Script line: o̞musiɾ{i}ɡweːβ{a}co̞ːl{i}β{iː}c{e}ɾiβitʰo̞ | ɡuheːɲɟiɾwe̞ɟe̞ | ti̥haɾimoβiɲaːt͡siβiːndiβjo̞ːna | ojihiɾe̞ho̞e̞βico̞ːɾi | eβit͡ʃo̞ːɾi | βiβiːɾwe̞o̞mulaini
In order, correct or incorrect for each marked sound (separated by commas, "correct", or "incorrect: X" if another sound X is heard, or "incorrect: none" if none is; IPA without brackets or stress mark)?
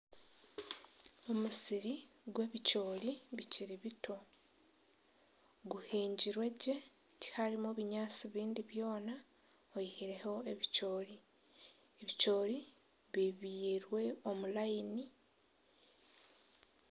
correct, incorrect: i, correct, incorrect: i, incorrect: i